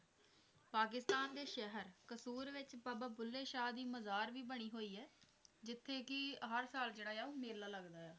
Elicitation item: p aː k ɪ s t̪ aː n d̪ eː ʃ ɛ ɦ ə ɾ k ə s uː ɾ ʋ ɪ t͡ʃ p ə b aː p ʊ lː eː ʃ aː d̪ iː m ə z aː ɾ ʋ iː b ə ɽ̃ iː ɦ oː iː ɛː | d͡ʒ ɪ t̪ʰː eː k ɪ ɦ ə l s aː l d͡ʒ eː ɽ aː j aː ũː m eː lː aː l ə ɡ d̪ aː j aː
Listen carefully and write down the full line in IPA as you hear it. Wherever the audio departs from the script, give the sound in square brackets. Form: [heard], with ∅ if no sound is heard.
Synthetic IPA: p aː k ɪ s t̪ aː n d̪ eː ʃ ɛ ɦ ə ɾ k ə s uː ɾ ʋ ɪ t͡ʃ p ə b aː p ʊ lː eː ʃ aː d̪ iː m ə z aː ɾ ʋ iː b ə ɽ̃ iː ɦ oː iː ɛː | d͡ʒ ɪ t̪ʰː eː k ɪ ɦ ə [ɾ] s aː l d͡ʒ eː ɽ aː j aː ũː m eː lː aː l ə ɡ d̪ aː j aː